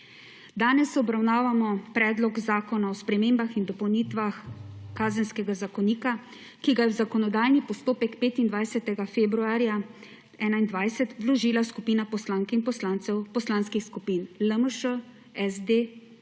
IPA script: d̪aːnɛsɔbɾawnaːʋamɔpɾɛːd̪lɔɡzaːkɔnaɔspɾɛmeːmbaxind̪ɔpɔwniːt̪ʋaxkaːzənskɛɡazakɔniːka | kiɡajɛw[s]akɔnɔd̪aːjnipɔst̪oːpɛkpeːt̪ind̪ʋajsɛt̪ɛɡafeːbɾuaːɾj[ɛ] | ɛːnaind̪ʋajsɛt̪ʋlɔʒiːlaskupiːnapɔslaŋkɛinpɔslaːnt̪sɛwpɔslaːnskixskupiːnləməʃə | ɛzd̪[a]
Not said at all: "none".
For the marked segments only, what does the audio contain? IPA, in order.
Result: z, a, e

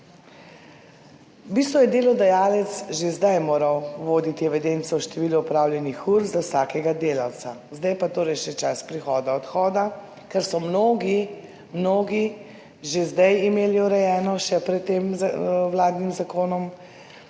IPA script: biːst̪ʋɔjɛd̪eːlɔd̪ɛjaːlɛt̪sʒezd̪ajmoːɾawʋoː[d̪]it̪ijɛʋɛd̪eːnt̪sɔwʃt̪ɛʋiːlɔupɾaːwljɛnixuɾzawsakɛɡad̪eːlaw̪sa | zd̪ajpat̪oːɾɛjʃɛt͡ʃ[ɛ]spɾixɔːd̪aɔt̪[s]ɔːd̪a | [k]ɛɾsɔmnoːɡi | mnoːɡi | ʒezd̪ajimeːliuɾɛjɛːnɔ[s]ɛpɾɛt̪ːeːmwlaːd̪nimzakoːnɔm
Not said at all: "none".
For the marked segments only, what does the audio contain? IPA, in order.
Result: d̪, a, x, k, ʃ

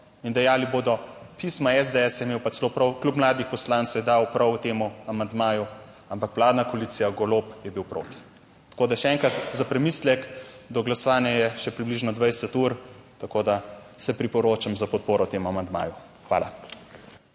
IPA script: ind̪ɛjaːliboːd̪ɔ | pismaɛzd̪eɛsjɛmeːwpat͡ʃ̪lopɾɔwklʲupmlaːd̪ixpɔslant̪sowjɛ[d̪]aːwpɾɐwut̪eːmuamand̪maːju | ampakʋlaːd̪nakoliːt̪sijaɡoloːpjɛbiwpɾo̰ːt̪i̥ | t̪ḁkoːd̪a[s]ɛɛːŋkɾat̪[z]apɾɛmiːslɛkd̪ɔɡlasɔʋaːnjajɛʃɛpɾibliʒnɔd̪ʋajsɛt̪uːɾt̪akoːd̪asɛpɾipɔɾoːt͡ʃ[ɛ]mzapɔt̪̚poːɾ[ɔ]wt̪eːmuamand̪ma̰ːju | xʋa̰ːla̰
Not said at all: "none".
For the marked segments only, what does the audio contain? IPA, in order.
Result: d̪, ʃ, z, a, ɔ

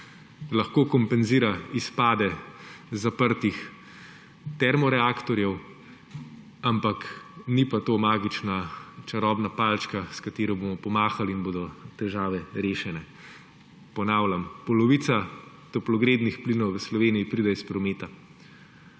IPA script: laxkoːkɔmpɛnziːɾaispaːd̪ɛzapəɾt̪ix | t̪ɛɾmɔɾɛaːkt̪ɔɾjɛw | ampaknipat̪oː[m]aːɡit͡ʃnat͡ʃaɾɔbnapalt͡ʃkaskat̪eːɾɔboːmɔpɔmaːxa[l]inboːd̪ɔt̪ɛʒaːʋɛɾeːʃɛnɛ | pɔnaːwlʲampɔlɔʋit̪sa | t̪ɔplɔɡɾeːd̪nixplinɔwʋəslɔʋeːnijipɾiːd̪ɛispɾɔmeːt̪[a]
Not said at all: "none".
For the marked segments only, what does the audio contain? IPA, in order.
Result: m, l, a

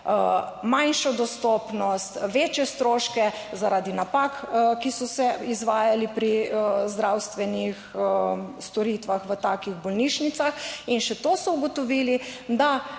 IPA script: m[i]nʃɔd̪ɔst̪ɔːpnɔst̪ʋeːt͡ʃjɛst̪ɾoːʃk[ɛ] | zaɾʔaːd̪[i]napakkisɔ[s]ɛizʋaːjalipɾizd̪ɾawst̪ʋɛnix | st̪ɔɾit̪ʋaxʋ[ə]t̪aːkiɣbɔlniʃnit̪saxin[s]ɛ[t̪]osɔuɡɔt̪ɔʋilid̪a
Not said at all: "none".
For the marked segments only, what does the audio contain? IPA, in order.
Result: a, ɛ, i, s, ə, ʃ, t̪

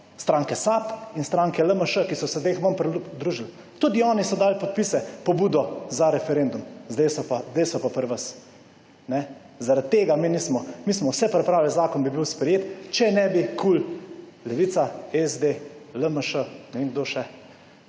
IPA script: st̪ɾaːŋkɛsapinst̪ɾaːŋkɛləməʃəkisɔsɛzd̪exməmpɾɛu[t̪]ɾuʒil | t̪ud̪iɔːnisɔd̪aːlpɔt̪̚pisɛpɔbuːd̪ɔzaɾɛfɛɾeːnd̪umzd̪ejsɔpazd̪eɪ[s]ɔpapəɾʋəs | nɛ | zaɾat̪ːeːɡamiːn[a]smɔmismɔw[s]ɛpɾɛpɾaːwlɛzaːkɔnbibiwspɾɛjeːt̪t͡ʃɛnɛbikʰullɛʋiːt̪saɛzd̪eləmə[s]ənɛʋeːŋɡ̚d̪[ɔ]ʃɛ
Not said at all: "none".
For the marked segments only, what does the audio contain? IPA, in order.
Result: d̪, s, i, s, ʃ, o

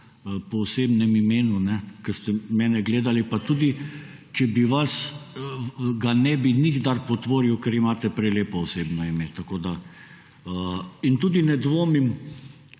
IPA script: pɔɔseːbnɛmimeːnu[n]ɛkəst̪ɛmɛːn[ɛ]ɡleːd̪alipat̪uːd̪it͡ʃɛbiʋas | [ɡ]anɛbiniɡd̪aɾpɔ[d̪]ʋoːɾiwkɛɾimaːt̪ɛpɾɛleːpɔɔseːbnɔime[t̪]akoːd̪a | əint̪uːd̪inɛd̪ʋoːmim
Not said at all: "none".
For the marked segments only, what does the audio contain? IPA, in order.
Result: n, ɛ, ɡ, t̪, t̪

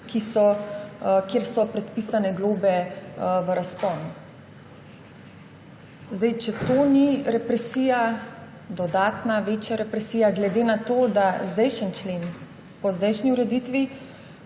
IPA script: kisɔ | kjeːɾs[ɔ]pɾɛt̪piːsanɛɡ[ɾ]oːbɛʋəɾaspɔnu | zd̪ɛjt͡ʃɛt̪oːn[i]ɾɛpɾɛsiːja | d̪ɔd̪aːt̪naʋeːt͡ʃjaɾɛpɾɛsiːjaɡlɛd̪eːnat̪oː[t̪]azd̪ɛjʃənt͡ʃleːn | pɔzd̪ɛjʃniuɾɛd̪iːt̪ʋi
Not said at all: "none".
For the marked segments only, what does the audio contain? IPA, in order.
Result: ɔ, l, i, d̪

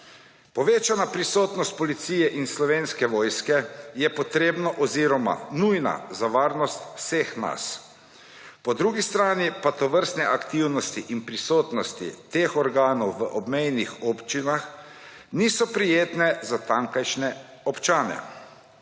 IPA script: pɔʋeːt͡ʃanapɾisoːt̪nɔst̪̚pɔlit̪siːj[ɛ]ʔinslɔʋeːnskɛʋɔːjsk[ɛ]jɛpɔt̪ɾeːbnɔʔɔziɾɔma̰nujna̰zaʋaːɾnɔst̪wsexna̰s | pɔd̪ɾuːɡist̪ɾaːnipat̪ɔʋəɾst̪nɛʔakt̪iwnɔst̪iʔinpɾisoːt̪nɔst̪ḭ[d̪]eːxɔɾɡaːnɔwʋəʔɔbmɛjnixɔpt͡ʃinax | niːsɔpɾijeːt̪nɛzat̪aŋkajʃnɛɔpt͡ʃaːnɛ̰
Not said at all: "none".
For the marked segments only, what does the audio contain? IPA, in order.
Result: ɛ, ɛ, t̪

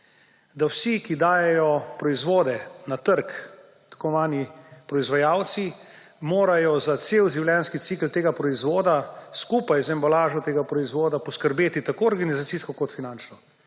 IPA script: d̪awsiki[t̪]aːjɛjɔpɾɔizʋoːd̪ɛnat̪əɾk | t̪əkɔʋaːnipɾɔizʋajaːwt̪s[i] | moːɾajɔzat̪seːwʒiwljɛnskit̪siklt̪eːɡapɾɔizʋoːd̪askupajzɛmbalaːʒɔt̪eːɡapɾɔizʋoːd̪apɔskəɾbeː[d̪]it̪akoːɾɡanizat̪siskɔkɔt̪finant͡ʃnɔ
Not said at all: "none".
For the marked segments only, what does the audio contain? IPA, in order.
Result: d̪, i, t̪

